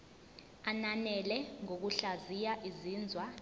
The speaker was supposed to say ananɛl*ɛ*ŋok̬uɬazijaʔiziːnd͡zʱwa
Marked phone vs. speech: correct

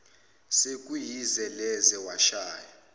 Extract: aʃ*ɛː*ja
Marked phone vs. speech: incorrect: aː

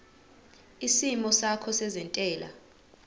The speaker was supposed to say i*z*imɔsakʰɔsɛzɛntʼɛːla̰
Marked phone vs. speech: incorrect: s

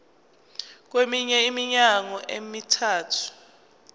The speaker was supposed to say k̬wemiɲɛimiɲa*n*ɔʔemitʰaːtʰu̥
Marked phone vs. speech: incorrect: ŋ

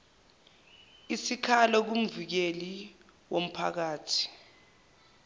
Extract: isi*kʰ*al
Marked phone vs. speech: correct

